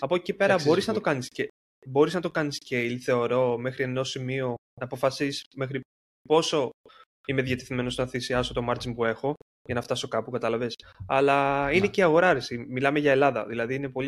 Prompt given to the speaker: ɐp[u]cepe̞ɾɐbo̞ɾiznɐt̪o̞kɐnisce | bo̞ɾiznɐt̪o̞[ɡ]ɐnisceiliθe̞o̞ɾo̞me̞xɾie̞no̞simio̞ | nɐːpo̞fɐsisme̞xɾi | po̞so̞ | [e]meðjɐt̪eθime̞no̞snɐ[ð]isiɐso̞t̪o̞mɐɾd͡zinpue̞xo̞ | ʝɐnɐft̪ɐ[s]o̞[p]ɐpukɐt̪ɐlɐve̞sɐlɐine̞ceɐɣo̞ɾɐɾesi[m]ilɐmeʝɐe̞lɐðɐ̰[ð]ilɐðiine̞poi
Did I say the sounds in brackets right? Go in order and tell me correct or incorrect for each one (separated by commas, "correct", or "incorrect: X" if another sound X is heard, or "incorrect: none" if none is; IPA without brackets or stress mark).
incorrect: o, incorrect: k, incorrect: i, incorrect: θ, correct, incorrect: k, correct, correct